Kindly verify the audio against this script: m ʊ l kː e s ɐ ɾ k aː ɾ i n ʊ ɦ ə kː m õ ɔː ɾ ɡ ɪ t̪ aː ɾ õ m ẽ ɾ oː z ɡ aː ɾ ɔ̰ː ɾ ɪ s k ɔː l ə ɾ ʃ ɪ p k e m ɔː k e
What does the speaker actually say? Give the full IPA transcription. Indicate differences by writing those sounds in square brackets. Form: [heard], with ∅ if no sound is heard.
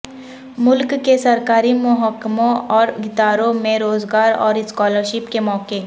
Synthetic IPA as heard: m ʊ l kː e s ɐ ɾ k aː ɾ i [m] ʊ ɦ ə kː m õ ɔː ɾ ɡ ɪ t̪ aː ɾ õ m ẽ ɾ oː z ɡ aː ɾ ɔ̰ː ɾ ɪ s k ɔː l ə ɾ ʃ ɪ p k e m ɔː k e